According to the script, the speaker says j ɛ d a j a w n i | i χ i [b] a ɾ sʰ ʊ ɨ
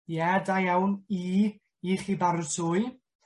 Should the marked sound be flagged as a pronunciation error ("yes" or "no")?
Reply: no